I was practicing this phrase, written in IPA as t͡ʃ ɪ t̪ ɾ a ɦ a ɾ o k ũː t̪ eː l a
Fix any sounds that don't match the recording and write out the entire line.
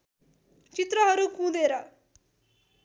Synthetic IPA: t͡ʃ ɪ t̪ ɾ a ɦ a ɾ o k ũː d̪ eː ɾ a